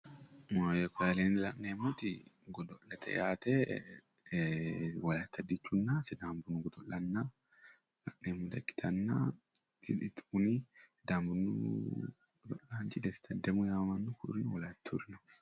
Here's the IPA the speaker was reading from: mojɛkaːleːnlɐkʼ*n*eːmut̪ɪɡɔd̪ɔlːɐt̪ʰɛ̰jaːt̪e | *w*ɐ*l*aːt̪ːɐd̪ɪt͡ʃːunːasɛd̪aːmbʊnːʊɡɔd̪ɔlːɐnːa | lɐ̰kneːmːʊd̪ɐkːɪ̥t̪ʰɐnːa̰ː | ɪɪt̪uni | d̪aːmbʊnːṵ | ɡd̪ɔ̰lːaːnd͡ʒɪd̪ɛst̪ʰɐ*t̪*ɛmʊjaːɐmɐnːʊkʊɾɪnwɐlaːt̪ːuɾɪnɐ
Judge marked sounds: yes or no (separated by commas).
yes, yes, yes, no